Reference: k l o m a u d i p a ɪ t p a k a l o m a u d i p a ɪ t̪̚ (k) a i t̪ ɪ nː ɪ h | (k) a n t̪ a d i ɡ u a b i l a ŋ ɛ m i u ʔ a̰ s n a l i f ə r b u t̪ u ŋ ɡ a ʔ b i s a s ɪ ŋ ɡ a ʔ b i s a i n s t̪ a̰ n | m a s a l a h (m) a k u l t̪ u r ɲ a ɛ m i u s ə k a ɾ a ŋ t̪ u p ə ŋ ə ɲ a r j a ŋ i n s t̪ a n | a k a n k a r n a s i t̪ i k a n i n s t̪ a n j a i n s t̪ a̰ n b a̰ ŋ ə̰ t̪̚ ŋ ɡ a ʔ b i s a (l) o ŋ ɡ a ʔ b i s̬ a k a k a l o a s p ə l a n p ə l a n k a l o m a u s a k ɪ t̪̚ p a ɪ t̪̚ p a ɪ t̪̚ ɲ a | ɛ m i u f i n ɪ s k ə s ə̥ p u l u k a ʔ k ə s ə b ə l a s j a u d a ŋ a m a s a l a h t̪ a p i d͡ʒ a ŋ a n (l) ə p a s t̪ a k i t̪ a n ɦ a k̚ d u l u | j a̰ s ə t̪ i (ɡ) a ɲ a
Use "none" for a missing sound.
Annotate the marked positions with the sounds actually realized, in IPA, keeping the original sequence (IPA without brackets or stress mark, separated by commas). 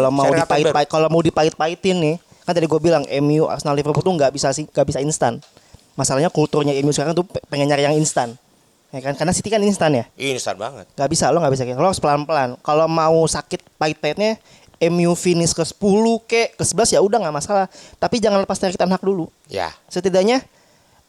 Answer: p, k, ɲ, l, l, d